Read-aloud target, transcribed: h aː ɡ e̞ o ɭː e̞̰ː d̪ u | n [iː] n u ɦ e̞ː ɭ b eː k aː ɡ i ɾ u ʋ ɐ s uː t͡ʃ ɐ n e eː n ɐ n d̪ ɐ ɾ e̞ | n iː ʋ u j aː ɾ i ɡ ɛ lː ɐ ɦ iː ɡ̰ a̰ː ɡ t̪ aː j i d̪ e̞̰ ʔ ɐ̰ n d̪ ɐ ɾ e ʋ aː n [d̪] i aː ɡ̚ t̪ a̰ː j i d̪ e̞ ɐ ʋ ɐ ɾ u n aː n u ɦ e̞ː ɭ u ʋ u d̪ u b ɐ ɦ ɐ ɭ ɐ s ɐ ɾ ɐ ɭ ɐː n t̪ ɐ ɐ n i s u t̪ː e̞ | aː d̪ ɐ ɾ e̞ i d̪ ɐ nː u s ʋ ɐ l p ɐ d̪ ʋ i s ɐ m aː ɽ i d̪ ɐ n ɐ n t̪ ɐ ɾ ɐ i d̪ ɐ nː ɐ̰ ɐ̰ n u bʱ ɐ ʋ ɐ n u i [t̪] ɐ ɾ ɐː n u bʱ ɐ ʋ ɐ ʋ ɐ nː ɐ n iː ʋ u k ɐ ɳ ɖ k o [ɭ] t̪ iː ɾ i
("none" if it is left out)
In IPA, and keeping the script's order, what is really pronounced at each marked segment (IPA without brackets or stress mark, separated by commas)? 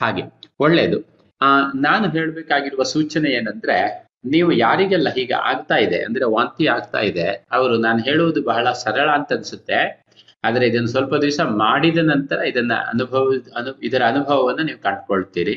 aː, t̪, d̪, ɭ